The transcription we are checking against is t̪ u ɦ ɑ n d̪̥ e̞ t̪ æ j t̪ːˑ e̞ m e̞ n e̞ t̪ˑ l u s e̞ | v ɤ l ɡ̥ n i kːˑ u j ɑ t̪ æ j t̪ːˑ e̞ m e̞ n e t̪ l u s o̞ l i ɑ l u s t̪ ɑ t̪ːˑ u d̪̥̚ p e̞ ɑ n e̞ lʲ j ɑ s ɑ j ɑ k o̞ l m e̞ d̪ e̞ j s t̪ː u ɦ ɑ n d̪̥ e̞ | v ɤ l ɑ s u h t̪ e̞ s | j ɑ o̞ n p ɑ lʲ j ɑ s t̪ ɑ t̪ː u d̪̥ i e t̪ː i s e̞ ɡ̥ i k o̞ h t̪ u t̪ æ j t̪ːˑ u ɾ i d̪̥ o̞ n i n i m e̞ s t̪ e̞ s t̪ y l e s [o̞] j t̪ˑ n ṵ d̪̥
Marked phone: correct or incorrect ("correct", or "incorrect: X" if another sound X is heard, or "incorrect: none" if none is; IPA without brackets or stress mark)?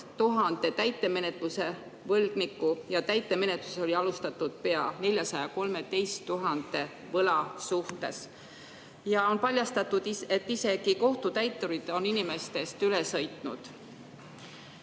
incorrect: ɤ̞